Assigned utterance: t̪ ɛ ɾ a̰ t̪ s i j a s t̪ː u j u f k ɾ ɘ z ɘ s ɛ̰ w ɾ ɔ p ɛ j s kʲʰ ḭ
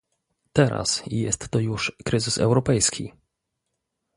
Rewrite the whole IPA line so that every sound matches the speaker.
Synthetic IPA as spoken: t̪ ɛ ɾ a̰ s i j ɛ s t̪ː ɔ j u ʂ k ɾ ɘ z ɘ s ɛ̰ w ɾ ɔ p ɛ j s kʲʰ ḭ